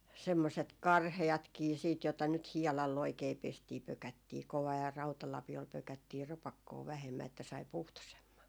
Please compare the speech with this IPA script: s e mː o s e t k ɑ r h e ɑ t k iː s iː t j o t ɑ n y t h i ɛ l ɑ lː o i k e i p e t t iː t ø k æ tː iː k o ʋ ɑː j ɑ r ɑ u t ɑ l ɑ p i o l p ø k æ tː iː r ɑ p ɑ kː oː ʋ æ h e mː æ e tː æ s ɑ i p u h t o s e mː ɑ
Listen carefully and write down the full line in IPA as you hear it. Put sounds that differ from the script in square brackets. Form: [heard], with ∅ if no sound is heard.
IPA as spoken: s e mː o s e t k ɑ r h e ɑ t k iː s iː t j o t ɑ n y t h i ɛ l ɑ lː o i k e i p e [s] t iː [p] ø k æ tː iː k o ʋ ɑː j ɑ r ɑ u t ɑ l ɑ p i o l p ø k æ tː iː r ɑ p ɑ kː oː ʋ æ h e mː æ e tː æ s ɑ i p u h t o s e mː ɑ